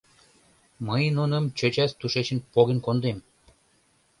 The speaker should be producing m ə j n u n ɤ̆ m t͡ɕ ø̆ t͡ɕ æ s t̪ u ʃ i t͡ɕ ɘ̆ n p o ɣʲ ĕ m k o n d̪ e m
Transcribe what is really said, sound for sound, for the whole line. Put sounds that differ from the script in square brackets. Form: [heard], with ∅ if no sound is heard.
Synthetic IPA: m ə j n u n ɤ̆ m t͡ɕ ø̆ t͡ɕ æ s t̪ u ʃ [e] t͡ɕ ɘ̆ n p o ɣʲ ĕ [n] k o n d̪ e m